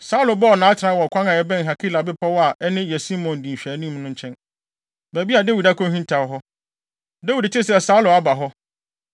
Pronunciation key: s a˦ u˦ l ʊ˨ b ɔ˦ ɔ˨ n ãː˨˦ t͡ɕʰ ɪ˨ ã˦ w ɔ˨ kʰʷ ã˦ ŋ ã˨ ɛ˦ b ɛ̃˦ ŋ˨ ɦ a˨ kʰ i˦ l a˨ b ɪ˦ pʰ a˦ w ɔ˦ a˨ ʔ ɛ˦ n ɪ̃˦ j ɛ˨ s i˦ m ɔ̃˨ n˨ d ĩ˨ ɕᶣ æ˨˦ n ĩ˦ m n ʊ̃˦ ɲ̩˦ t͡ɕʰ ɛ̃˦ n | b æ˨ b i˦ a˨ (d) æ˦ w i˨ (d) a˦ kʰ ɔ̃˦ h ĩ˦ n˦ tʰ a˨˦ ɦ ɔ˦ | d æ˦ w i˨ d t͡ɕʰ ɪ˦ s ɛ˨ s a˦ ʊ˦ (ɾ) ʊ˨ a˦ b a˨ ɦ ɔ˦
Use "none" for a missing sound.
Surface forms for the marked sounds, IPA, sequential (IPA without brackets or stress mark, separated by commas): d, d, l